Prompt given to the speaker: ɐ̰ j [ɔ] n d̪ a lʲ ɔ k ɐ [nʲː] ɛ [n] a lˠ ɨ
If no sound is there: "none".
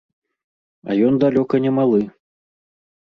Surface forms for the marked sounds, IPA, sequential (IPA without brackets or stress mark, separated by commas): ɔ, nʲ, m